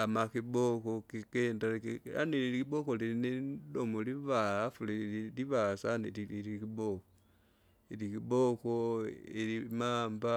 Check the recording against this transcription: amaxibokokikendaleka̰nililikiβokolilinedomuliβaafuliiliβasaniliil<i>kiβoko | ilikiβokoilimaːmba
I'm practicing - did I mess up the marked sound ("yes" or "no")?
no